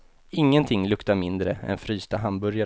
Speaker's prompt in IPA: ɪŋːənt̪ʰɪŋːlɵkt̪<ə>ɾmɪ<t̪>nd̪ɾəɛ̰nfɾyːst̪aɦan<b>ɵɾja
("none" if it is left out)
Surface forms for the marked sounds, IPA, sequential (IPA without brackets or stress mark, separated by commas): a, none, b